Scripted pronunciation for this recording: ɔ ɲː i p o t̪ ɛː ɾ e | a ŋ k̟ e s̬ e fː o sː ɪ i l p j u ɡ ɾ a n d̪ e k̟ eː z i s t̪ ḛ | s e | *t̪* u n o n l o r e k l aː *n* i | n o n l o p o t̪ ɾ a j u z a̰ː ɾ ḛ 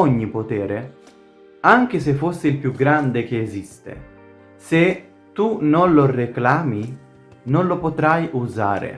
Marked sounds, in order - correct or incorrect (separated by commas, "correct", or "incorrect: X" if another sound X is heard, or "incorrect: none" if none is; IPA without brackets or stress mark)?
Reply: correct, incorrect: m